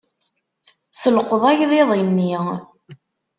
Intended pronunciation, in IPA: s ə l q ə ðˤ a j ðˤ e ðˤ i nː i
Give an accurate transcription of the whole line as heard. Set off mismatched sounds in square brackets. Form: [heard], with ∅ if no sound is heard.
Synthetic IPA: s ə l q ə ðˤ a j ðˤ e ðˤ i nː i

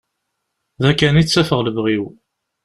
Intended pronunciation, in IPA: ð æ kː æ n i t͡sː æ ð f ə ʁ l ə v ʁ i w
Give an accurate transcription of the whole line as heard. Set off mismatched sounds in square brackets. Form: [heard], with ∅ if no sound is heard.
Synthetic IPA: ð æ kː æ n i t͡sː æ [∅] f ə ʁ l ə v ʁ i w

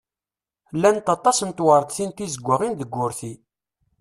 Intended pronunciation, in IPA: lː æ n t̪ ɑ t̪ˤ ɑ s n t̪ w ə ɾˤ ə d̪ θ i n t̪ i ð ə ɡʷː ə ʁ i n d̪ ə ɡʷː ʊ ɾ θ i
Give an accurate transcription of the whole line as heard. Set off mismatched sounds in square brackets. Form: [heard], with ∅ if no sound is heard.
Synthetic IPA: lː æ n t̪ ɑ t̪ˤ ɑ s n t̪ w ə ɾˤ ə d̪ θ i n t̪ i [z] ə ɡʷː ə ʁ i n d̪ ə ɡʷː ʊ ɾ θ i

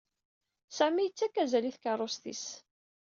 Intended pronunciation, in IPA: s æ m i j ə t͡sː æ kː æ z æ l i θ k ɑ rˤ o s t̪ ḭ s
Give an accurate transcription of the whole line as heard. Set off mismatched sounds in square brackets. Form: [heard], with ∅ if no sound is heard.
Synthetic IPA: s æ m i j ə t͡sː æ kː æ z æ l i θ k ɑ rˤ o s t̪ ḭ s

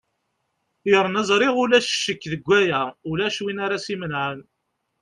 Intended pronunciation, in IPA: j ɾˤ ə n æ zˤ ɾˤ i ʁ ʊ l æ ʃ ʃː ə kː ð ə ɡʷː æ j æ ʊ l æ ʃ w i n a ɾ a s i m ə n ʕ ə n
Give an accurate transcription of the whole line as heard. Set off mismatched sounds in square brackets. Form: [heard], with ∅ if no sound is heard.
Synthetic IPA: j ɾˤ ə n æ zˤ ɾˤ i ʁ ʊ l æ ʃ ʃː ə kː ð ə ɡʷː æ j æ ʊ l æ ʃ w i n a ɾ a s i m ə n ʕ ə n

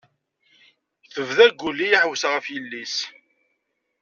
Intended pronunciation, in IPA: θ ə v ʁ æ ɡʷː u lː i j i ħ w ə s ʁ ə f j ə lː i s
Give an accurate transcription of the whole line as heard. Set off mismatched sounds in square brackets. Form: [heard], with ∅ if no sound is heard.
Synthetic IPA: θ ə v [ð] æ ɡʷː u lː i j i ħ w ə s ʁ ə f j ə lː i s

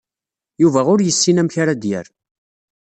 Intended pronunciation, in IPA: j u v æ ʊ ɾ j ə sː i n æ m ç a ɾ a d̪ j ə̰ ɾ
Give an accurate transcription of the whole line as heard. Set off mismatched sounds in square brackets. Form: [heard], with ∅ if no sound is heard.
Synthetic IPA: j u v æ ʊ ɾ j ə sː i n æ m ç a ɾ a d̪ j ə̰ ɾ

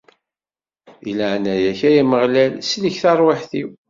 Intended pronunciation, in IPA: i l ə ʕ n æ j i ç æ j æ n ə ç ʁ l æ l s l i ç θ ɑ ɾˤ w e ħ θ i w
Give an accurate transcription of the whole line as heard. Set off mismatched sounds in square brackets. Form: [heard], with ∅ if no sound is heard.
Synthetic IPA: i l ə ʕ n æ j [æ] ç æ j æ [m] ə [∅] ʁ l æ l s l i ç θ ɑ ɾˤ w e ħ θ i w

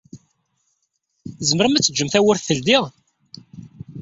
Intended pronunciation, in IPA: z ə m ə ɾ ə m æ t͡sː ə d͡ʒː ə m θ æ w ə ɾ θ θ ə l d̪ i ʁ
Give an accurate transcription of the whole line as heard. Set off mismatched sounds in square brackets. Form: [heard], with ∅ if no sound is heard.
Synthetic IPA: z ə m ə ɾ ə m æ t͡sː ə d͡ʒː ə m θ æ w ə ɾ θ θ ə l d̪ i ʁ

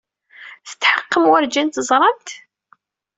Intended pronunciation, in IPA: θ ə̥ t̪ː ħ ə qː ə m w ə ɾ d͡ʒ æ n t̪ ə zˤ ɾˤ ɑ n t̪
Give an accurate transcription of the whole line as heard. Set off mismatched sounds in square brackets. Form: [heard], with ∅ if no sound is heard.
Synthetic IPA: θ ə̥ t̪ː ħ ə qː ə m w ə ɾ d͡ʒ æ n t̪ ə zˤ ɾˤ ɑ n t̪

